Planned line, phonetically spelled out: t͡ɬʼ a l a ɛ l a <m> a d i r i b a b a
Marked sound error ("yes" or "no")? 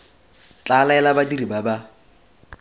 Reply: yes